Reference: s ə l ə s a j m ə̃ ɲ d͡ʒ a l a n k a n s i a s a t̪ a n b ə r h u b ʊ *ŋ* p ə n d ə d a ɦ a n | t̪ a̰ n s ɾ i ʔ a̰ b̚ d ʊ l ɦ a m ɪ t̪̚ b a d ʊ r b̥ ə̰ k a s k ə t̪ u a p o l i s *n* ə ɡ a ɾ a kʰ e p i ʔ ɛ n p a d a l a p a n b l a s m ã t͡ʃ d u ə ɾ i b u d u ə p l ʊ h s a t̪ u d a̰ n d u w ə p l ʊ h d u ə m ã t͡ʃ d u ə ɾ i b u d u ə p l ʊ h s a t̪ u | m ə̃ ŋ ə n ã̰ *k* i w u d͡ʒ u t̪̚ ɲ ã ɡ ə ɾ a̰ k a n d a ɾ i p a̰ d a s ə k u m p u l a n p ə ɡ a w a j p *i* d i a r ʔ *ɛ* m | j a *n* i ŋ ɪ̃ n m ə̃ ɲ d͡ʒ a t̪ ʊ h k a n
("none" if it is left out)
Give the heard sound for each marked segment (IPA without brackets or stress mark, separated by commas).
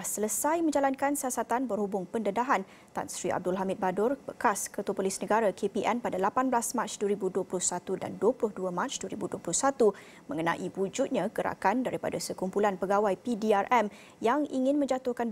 ŋ, n, ʔ, i, ɛ, ŋ